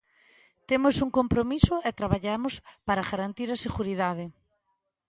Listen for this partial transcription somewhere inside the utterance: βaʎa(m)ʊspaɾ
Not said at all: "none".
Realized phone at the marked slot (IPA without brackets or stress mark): m